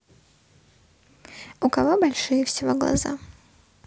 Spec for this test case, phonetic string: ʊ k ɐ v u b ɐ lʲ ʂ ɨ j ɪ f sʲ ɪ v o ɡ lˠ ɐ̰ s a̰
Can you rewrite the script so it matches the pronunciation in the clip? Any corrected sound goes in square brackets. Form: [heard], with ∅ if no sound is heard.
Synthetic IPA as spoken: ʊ k ɐ v [o] b ɐ lʲ ʂ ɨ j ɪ f sʲ ɪ v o ɡ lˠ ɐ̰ [z] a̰